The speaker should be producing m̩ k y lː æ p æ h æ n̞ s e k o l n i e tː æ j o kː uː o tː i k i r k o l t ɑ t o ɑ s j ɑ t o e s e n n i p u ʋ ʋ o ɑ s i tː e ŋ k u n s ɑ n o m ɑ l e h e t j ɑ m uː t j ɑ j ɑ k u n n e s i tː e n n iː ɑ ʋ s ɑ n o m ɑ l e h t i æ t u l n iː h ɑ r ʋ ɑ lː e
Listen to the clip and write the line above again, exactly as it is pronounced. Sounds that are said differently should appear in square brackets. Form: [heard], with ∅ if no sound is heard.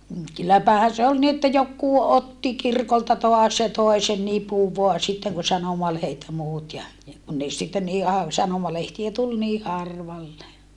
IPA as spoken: m̩ k y lː æ p æ h æ n̞ s e [∅] o l n i e tː æ j o kː uː o tː i k i r k o l t ɑ t o ɑ s j ɑ t o e s e n n i p u ʋ ʋ o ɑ s i tː e ŋ k u n s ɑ n o m ɑ l e h e t j ɑ m uː t j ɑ j ɑ k u n n e s i tː e n n iː ɑ ʋ s ɑ n o m ɑ l e h t i æ t u l n iː h ɑ r ʋ ɑ lː e